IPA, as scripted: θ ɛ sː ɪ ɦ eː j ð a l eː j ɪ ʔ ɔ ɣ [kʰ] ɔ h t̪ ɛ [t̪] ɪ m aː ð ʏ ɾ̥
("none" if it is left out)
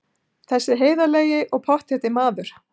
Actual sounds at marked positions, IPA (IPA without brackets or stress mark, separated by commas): pʰ, t̪